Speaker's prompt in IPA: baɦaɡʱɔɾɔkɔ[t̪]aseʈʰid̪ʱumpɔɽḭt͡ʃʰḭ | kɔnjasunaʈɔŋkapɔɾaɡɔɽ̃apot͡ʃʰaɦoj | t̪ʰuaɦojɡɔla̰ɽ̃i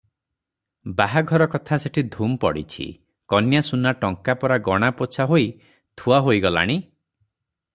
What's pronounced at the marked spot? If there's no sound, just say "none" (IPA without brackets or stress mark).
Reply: t̪ʰ